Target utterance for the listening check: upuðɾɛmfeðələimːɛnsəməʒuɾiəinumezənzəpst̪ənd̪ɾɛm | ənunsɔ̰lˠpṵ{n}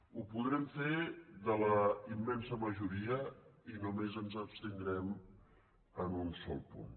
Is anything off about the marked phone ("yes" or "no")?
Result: no